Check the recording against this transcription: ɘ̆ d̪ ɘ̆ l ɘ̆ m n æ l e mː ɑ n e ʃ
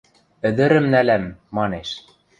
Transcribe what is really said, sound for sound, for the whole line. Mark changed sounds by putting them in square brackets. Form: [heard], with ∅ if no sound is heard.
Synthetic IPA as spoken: ɘ̆ d̪ ɘ̆ [ɾ] ɘ̆ m n æ l [æ] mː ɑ n e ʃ